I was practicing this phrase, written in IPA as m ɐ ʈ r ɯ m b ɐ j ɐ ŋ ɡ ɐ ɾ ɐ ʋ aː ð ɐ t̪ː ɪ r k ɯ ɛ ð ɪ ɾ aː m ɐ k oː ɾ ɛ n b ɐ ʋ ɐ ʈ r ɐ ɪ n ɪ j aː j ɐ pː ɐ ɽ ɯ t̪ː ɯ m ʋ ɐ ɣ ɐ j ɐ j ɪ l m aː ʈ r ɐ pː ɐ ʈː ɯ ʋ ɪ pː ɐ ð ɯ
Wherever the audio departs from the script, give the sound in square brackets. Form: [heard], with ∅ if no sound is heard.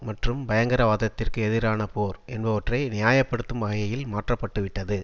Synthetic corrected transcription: m ɐ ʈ r ɯ m b ɐ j ɐ ŋ ɡ ɐ ɾ ɐ ʋ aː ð ɐ t̪ː ɪ r k ɯ ɛ ð ɪ ɾ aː [n] ɐ [p] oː ɾ ɛ n b ɐ ʋ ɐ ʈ r ɐ ɪ n ɪ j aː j ɐ pː ɐ ɽ ɯ t̪ː ɯ m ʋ ɐ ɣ ɐ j ɐ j ɪ l m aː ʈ r ɐ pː ɐ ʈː ɯ ʋ ɪ [ʈː] ɐ ð ɯ